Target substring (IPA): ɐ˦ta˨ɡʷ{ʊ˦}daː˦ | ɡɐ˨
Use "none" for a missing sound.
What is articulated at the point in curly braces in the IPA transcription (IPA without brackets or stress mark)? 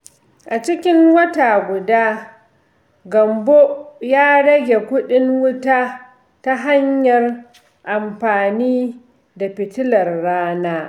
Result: ʊ˨